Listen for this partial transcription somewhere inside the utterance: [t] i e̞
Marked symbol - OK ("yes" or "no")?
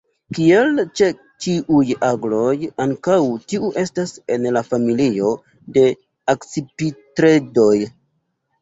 no